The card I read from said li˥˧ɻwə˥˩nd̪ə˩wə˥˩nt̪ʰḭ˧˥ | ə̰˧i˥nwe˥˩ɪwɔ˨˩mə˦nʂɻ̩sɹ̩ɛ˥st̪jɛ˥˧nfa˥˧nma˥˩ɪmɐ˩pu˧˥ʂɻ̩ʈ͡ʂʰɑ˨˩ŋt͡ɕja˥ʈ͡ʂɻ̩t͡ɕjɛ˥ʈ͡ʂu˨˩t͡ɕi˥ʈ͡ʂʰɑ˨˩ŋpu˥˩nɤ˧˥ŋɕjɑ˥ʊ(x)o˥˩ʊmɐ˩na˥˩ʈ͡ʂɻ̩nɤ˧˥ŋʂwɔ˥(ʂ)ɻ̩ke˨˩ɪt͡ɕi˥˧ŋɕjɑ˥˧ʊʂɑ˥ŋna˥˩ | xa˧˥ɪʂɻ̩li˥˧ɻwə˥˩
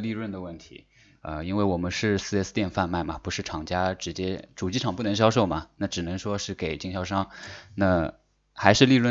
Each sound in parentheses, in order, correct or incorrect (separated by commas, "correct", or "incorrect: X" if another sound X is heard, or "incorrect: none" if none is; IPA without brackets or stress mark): incorrect: ʂ, correct